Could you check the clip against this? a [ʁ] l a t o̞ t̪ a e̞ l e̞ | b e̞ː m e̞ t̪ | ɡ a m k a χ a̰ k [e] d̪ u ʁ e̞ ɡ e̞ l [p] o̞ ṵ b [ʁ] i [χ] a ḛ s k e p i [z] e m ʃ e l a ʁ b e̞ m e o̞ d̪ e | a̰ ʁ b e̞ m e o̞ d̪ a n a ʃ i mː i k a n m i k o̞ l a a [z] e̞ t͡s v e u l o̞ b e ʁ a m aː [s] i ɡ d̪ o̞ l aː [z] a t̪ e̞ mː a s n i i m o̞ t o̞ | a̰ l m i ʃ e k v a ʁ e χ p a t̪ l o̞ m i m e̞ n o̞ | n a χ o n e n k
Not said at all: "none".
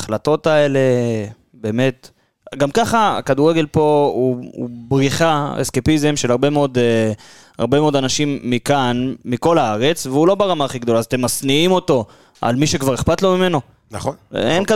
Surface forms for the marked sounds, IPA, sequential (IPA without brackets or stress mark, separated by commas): χ, a, p, ʁ, χ, z, ʁ, χ, z